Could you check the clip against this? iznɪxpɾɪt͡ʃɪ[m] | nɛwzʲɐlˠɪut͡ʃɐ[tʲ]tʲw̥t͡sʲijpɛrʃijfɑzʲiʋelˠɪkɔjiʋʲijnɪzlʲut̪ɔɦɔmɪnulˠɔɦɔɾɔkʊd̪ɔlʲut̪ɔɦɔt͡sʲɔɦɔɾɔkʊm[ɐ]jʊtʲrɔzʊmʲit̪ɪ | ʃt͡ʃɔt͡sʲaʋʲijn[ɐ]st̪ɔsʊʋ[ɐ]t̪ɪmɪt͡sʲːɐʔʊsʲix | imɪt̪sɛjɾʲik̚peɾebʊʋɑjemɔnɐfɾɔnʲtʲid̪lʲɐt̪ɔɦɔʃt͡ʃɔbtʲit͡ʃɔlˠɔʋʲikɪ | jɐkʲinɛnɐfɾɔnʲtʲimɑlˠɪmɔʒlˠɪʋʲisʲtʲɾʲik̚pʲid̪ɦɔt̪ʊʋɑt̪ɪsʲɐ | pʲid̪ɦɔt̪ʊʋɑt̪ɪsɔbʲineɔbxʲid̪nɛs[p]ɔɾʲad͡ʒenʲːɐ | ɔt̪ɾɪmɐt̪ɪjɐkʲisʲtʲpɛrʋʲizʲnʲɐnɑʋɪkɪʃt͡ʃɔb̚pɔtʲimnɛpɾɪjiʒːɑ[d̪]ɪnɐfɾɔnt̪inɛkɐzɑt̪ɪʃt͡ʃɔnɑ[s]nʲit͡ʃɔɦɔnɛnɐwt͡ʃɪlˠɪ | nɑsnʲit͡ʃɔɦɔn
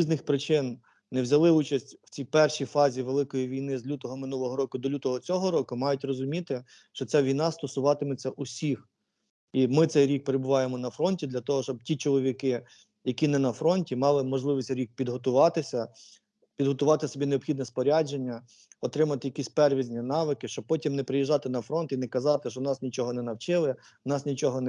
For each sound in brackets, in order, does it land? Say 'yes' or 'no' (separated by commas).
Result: no, no, no, no, no, yes, no, yes